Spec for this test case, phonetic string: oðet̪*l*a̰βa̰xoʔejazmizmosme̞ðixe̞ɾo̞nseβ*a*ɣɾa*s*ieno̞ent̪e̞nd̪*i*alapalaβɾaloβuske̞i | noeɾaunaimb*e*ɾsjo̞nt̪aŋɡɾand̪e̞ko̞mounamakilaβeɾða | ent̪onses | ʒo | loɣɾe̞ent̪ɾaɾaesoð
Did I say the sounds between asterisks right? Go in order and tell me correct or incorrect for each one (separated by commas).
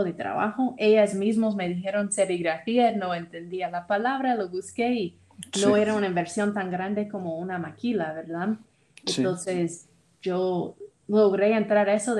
incorrect, incorrect, incorrect, correct, correct